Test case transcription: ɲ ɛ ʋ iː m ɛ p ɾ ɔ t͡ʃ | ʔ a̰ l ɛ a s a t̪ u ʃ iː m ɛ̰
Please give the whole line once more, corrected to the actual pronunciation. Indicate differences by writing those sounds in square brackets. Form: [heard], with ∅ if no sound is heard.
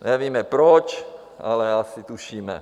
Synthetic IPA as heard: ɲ ɛ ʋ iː m ɛ p ɾ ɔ t͡ʃ | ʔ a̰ l ɛ a s [i] t̪ u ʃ iː m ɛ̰